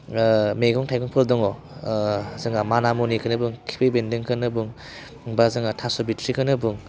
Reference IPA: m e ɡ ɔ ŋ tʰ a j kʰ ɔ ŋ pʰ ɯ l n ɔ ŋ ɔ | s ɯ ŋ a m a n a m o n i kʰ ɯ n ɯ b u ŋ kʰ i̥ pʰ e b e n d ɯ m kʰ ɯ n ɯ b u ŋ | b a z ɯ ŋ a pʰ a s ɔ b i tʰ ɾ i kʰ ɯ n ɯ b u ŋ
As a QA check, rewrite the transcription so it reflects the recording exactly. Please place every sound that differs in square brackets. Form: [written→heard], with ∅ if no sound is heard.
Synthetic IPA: m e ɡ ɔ ŋ tʰ a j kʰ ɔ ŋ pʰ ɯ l [n→d] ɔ ŋ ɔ | [s→z] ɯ ŋ a m a n a m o n i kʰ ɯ n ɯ b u ŋ kʰ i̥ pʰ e b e n d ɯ [m→ŋ] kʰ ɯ n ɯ b u ŋ | b a z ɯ ŋ a [pʰ→tʰ] a s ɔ b i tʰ ɾ i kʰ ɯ n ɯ b u ŋ